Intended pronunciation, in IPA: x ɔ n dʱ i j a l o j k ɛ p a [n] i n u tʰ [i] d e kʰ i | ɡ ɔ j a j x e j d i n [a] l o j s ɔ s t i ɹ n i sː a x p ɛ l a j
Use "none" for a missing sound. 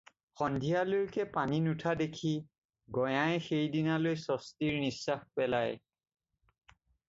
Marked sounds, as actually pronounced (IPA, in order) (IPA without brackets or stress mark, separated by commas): n, a, a